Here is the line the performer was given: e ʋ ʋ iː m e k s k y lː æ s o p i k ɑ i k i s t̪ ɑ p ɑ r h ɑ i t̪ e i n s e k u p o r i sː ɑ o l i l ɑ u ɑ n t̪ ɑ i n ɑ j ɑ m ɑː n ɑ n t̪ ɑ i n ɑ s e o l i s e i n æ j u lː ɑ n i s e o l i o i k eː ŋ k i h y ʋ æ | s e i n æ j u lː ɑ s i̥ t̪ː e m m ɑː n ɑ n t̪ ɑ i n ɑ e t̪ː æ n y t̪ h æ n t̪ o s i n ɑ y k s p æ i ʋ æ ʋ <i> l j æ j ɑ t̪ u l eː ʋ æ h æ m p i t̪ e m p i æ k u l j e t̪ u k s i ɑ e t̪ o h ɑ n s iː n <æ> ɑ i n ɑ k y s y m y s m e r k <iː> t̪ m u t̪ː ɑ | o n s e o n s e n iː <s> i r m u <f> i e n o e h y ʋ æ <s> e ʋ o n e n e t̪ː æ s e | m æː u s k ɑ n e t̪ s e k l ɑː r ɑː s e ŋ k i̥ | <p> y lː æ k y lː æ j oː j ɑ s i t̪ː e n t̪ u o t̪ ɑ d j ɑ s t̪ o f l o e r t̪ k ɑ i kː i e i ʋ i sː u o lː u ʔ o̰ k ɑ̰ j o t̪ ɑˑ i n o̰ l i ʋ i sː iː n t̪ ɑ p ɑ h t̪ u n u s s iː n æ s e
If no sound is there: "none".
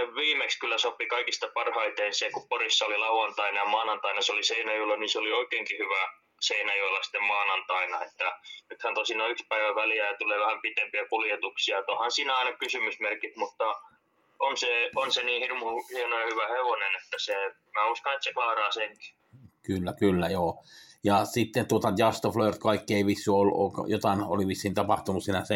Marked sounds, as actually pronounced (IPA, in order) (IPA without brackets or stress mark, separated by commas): æ, æ, i, h, h, h, k